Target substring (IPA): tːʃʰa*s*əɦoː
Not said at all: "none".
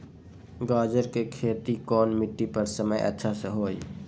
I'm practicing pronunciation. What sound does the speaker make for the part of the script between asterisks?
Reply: s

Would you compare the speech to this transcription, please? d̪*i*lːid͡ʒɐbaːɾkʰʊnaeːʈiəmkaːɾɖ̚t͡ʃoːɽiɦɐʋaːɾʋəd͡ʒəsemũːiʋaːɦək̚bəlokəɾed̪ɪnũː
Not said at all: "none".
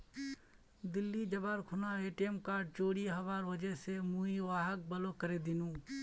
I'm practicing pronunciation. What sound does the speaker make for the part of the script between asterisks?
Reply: ɪ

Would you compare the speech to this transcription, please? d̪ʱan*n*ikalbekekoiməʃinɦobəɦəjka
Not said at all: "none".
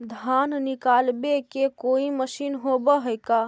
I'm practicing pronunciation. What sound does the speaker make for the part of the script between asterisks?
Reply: n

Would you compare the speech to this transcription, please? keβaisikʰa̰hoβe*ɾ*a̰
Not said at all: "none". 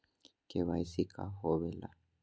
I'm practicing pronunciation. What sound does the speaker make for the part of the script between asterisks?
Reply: l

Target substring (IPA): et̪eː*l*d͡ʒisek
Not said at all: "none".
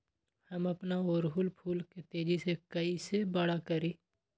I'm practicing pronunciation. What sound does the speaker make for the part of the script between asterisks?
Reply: none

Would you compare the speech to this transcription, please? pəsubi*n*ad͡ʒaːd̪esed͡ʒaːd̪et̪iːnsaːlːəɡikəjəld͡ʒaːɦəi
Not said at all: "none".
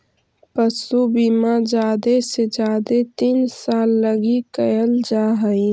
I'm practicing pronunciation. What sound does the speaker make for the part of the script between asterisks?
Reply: m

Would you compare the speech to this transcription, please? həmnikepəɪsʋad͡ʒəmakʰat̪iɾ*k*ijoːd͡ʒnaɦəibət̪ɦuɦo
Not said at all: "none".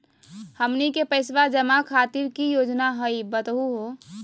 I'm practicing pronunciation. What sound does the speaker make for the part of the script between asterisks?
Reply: k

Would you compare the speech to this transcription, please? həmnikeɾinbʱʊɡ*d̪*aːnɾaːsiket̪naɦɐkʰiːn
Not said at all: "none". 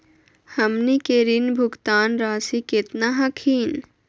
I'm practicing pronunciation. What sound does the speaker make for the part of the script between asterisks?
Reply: t̪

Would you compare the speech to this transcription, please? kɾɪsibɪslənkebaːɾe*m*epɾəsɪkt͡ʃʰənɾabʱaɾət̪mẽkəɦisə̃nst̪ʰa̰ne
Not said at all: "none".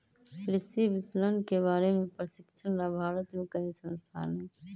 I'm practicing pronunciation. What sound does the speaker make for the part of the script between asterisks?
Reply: m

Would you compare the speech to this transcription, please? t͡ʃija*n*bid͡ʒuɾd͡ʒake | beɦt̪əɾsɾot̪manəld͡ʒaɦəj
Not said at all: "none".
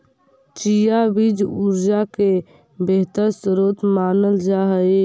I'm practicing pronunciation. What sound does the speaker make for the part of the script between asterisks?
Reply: none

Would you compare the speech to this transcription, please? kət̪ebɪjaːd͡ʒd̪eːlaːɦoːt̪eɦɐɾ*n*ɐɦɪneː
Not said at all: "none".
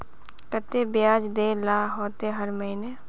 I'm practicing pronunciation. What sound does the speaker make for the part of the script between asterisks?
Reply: m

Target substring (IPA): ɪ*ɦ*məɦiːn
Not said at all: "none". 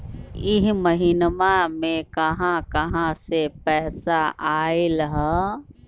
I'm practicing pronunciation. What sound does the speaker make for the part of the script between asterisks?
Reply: ɦ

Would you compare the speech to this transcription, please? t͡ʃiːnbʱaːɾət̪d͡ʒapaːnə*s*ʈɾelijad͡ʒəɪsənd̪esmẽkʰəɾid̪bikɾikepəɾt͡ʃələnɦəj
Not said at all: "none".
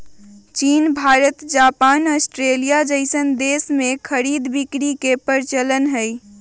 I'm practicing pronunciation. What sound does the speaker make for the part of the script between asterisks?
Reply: s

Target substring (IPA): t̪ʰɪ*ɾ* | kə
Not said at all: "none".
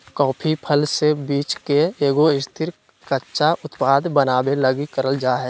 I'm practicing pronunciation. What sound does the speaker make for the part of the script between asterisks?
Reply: ɾ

